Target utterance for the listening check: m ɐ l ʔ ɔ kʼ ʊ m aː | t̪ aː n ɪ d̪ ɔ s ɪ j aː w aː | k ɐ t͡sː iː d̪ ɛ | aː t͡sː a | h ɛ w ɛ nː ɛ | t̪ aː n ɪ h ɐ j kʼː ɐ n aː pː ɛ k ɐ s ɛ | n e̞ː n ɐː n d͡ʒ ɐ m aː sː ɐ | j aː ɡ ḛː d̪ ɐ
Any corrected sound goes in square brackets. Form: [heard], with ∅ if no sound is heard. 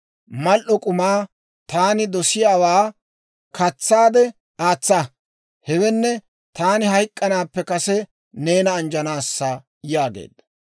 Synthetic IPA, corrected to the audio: m ɐ l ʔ ɔ kʼ ʊ m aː | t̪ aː n ɪ d̪ ɔ s ɪ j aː w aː | k ɐ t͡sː [aː] d̪ ɛ | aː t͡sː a | h ɛ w ɛ nː ɛ | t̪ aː n ɪ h ɐ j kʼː ɐ n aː pː ɛ k ɐ s ɛ | n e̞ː n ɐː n d͡ʒ ɐ [n] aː sː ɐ | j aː ɡ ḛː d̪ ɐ